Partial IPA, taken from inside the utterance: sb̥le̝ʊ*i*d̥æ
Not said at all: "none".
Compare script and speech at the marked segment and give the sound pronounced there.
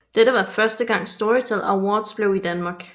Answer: i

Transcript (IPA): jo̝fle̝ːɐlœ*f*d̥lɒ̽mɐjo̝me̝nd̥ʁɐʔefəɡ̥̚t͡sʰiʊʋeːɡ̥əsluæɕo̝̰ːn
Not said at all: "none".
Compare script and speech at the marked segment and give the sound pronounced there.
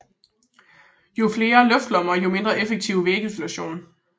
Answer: f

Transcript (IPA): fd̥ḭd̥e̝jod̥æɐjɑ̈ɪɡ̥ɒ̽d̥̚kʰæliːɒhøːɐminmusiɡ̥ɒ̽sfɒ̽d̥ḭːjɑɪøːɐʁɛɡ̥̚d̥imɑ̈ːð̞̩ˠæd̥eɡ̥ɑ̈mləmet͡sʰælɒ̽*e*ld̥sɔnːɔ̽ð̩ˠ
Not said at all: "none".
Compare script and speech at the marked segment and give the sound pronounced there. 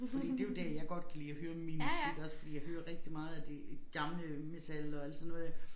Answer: æ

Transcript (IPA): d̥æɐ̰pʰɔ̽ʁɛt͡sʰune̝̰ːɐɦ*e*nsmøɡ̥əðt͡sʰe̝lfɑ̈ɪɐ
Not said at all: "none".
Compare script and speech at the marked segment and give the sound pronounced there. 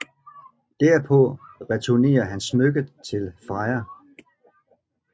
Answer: æ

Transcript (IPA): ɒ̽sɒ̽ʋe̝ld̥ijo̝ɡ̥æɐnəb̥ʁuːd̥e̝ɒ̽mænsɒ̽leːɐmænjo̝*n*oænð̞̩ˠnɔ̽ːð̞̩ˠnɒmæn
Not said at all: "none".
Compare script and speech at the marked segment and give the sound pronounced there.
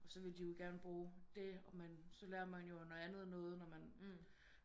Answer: n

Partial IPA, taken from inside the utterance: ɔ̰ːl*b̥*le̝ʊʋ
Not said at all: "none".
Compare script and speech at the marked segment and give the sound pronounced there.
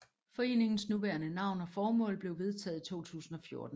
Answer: b̥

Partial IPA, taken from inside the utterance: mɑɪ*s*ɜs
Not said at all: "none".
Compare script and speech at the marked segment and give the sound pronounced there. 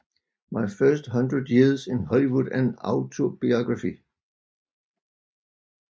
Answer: f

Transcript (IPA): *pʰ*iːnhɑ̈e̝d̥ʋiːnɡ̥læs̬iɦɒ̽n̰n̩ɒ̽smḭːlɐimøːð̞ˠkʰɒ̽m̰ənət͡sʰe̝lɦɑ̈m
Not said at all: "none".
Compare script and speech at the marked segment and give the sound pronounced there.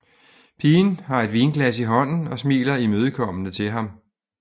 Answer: pʰ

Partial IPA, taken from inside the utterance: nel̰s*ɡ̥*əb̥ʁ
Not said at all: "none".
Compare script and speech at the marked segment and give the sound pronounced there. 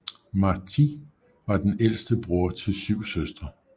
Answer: d̥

